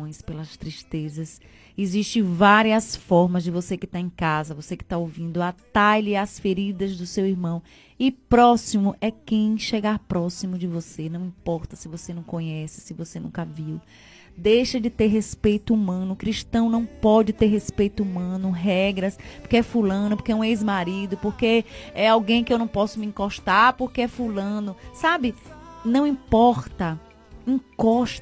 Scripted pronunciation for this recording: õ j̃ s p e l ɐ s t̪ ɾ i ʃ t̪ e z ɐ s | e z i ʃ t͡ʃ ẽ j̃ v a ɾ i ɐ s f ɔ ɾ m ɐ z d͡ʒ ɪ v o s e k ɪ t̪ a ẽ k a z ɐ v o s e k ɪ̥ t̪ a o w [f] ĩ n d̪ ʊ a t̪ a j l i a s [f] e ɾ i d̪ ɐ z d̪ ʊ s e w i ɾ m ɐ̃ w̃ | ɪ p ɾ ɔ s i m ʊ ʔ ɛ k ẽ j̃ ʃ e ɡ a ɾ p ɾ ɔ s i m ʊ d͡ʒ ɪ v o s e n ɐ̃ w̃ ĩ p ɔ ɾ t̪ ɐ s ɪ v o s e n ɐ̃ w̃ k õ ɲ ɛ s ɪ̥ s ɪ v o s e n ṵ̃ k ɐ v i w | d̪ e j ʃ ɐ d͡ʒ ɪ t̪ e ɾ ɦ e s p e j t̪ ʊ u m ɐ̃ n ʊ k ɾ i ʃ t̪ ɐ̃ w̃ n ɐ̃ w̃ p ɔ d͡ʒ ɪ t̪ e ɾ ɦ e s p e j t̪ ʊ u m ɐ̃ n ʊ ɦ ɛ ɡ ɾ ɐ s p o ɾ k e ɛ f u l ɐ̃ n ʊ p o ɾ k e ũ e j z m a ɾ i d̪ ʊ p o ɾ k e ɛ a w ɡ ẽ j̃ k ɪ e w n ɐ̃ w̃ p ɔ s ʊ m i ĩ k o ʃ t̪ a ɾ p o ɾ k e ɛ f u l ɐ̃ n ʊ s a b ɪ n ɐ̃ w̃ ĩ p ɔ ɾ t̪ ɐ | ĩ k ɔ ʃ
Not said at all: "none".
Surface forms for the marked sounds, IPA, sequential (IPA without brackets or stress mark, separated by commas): v, f